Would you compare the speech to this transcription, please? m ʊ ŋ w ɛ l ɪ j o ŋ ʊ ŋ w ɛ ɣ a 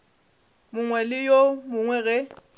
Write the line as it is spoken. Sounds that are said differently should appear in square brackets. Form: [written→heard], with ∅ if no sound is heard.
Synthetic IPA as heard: m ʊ ŋ w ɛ l ɪ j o [ŋ→m] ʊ ŋ w ɛ ɣ [a→ɛ]